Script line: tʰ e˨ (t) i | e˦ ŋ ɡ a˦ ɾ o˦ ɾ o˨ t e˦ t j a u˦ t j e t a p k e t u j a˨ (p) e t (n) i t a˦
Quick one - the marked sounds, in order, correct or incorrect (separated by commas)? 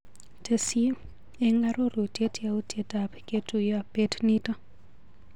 incorrect, correct, correct